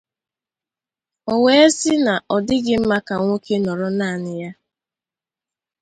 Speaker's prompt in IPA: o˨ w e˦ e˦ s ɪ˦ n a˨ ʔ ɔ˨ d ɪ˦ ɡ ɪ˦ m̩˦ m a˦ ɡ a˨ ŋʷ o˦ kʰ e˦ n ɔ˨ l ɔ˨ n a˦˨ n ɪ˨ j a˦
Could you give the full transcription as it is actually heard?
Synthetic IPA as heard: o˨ w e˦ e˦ s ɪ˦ n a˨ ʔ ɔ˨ d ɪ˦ ɡ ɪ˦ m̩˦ m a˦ k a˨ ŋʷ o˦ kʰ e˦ n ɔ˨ ɾ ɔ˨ n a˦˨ n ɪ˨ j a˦